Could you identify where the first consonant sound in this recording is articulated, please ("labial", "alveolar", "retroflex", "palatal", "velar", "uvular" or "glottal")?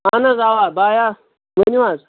alveolar